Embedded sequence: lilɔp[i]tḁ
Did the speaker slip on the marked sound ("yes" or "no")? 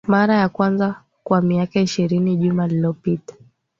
no